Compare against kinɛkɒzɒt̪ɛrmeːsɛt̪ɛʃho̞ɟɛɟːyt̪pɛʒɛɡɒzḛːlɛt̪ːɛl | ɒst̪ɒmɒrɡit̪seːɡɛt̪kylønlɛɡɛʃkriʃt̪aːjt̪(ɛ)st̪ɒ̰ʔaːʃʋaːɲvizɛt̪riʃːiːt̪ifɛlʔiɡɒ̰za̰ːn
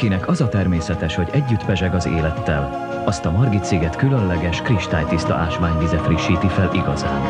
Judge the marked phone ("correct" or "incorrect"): incorrect